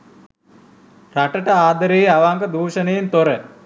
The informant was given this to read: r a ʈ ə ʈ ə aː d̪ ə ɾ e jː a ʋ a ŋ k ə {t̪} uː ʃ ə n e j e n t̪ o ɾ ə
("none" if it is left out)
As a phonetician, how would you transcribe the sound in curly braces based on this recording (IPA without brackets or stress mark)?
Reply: d̪